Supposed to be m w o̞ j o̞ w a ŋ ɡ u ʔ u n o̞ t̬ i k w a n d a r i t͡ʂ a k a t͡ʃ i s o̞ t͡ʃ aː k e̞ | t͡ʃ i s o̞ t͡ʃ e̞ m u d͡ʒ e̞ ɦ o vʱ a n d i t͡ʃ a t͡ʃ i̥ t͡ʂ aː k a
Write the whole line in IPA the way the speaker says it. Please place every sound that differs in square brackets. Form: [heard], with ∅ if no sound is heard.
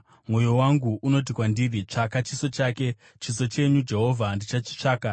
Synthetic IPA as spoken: m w o̞ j o̞ w a ŋ ɡ u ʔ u n o̞ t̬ i k w a n d [i] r i t͡ʂ a k a t͡ʃ i s o̞ t͡ʃ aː k e̞ | t͡ʃ i s o̞ t͡ʃ e̞ [ɲ] u d͡ʒ e̞ ɦ o vʱ a n d i t͡ʃ a t͡ʃ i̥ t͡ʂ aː k a